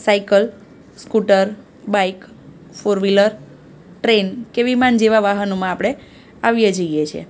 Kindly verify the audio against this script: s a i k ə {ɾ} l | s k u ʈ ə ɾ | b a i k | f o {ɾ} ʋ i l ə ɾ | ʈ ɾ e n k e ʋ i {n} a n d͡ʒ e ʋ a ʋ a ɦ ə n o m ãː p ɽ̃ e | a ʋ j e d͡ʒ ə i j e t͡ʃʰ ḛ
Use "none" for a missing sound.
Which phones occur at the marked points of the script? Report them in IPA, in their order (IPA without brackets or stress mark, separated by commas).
none, ɾ, m